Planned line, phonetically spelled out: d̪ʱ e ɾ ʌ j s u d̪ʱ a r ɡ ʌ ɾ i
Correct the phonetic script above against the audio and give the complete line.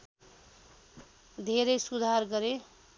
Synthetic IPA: d̪ʱ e ɾ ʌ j s u d̪ʱ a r ɡ ʌ ɾ e